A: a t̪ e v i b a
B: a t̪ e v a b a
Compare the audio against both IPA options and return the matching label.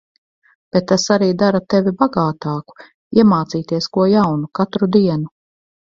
A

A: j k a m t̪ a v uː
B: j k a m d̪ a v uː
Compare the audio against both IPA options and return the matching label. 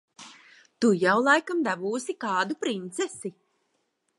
B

